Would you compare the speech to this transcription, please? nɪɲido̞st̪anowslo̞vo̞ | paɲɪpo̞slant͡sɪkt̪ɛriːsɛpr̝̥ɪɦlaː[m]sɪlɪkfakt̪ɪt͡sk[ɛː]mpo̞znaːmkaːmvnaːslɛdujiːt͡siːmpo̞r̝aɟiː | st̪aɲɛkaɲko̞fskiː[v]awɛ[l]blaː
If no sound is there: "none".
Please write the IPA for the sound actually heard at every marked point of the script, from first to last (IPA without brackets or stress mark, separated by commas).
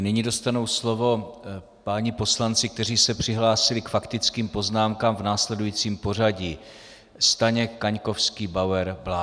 none, iː, b, ɾ